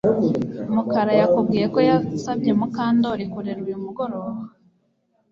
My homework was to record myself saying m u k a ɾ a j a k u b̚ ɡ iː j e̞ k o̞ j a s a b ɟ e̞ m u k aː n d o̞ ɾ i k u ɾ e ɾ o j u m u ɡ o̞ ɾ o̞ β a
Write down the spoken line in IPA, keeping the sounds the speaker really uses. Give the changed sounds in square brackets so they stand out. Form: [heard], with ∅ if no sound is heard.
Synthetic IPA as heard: m u k a ɾ a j a k u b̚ ɡ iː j e̞ k o̞ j a s a b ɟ e̞ m u k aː n d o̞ ɾ i k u ɾ e ɾ [u] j u m u ɡ o̞ ɾ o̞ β a